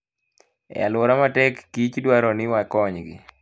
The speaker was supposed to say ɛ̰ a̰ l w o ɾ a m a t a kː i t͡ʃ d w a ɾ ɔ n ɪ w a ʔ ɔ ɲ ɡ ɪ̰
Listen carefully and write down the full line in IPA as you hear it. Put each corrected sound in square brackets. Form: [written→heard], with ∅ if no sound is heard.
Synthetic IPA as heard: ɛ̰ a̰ l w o ɾ a m a t [a→ɛ] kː i t͡ʃ d w a ɾ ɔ n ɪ w a [ʔ→k] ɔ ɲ ɡ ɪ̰